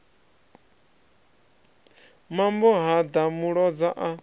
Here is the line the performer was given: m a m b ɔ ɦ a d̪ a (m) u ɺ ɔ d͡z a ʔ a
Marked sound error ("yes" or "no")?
no